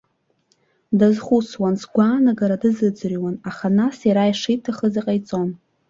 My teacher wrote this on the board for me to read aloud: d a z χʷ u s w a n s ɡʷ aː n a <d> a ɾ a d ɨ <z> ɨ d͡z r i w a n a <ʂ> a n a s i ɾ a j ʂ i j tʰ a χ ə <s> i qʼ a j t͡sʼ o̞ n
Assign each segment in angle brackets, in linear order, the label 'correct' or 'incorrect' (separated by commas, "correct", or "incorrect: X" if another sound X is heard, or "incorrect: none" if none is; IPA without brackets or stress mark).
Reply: incorrect: ɡ, correct, incorrect: χ, incorrect: z